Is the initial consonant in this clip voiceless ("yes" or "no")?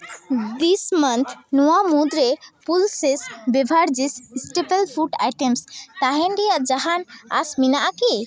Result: no